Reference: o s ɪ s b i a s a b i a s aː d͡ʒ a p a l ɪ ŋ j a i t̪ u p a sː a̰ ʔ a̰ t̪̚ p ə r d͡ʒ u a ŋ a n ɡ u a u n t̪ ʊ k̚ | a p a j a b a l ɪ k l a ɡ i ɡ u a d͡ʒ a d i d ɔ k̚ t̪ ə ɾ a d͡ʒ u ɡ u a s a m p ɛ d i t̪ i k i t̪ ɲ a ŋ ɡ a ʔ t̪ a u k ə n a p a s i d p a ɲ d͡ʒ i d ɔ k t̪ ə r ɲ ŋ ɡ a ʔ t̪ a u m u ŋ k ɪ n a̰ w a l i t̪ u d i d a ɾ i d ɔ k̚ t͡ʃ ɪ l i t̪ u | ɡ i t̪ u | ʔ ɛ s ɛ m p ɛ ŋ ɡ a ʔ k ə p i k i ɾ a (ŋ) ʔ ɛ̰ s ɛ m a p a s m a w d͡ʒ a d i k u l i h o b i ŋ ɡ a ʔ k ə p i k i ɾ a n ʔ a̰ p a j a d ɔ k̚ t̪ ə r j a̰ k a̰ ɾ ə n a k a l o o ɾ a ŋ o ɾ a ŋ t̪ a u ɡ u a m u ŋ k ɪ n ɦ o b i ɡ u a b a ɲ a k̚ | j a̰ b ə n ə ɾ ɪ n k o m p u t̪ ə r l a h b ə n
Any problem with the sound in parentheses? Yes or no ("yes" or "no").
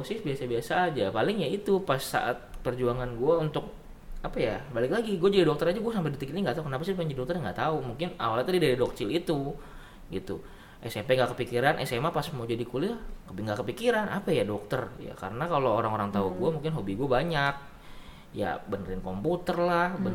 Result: yes